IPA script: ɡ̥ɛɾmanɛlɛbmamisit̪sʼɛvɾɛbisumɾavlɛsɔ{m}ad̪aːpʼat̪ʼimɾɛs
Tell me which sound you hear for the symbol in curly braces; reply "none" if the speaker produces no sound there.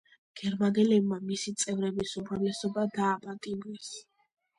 b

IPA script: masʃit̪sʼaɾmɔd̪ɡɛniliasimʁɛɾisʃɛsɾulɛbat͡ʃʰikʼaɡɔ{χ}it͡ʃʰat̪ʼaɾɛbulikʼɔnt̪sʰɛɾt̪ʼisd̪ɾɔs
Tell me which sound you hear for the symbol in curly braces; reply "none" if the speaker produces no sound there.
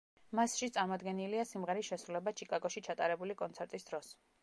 ʃ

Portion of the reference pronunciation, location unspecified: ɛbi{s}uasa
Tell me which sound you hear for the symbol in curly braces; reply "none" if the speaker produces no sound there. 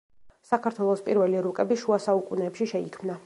ʃ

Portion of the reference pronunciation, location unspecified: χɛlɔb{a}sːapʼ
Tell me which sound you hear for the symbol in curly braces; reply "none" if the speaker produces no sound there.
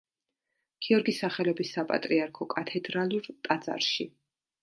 i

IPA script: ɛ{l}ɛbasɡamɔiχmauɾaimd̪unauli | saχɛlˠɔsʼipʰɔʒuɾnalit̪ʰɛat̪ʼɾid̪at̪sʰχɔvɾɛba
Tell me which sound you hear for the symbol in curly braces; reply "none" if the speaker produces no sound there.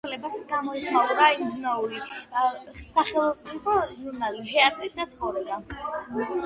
l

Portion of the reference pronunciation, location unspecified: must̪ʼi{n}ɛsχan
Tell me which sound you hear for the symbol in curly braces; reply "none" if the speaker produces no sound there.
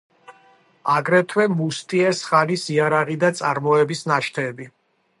none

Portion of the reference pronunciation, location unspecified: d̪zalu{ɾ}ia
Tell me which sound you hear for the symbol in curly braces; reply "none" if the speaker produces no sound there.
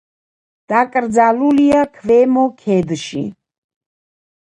l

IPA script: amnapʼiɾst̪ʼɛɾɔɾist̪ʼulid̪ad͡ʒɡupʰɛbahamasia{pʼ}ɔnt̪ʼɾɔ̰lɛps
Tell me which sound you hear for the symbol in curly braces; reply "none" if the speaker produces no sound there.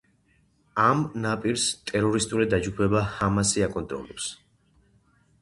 kʼ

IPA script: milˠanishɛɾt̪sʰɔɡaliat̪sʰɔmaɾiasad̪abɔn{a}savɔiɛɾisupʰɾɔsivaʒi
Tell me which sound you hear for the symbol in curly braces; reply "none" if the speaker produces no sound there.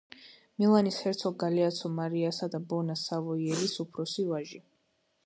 a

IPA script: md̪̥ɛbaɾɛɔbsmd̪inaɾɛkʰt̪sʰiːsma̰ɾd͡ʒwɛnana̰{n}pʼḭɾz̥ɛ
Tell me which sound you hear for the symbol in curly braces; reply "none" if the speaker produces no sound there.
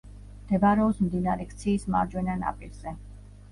none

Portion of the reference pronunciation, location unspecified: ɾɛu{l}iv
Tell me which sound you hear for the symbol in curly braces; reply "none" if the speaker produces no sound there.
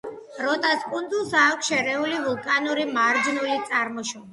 l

